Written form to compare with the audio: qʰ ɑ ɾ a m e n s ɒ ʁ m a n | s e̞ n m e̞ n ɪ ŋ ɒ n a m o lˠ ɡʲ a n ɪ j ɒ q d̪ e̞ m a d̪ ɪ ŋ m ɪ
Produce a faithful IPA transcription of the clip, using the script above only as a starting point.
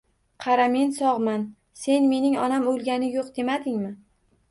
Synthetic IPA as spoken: qʰ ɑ ɾ a m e n s ɒ ʁ m a n | s e̞ n m e̞ n ɪ ŋ ɒ n a m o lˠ ɡʲ a n ɪ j o q d̪ e̞ m a d̪ ɪ ŋ m ɪ